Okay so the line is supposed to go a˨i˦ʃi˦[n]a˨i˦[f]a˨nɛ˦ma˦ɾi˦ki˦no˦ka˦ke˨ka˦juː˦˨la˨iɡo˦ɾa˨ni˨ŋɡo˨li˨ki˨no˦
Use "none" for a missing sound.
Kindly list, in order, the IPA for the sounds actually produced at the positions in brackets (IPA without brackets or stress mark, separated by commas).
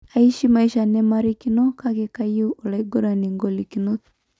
m, ʃ